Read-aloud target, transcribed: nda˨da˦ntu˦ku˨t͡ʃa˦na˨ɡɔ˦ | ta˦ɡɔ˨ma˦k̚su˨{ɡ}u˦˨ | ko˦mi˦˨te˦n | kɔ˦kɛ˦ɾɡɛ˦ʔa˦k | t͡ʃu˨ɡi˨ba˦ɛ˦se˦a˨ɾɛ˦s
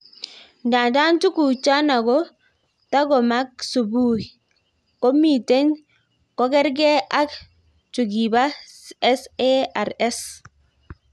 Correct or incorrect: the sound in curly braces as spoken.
incorrect: b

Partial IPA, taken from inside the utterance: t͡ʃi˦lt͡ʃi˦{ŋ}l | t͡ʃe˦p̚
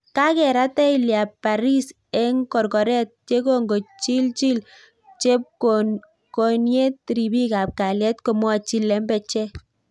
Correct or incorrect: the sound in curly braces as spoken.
incorrect: none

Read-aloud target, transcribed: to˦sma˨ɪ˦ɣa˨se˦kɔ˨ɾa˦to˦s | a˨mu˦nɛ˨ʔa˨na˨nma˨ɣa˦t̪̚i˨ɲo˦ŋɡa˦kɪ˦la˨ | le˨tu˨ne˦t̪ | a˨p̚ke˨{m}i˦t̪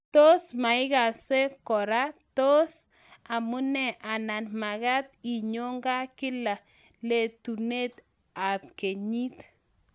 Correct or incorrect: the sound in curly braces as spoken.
incorrect: ɲ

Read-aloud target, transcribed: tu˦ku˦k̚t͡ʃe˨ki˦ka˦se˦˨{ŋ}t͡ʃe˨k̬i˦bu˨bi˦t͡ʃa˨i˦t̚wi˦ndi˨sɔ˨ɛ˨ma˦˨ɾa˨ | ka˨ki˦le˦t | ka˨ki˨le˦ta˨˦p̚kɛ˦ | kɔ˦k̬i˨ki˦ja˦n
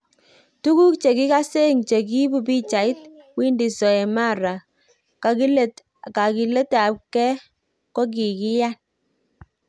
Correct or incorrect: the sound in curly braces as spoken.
correct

